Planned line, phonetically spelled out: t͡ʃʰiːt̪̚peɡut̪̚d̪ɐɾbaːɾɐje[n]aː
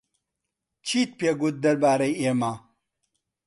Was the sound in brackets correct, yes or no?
no